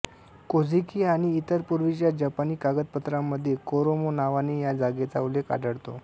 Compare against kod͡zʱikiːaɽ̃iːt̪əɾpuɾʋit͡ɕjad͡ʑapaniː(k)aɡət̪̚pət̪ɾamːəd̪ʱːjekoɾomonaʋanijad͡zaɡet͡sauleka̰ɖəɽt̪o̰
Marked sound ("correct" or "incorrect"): correct